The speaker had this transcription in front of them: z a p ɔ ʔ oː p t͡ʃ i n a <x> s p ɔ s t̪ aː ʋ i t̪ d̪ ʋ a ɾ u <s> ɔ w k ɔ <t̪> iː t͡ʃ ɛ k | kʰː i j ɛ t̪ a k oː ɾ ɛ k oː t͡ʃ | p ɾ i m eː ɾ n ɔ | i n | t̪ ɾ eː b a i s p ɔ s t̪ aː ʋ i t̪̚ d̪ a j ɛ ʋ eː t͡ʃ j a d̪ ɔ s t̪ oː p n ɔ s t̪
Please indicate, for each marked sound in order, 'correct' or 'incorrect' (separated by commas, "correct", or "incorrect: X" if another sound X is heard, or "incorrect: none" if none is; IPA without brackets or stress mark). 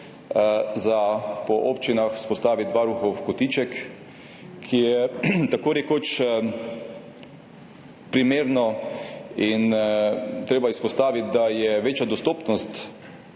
correct, incorrect: x, correct